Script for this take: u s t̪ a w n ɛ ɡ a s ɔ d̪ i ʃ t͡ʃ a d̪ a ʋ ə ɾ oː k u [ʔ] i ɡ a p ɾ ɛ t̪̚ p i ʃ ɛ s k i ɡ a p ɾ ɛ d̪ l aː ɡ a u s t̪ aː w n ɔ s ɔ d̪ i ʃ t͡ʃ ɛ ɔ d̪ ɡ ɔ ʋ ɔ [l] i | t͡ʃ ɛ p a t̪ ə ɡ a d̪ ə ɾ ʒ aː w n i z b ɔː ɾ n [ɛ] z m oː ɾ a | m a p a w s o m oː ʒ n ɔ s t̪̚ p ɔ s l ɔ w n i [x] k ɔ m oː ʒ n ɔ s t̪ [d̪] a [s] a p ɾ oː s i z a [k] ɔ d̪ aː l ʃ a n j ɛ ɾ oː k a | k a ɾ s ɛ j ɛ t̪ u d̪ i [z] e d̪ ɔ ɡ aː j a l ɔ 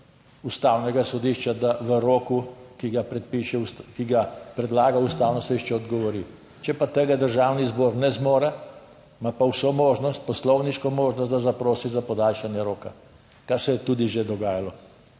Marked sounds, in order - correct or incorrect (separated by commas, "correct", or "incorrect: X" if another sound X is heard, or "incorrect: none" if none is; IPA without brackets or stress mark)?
incorrect: k, incorrect: ɾ, correct, incorrect: ʃ, correct, incorrect: z, incorrect: p, incorrect: ʒ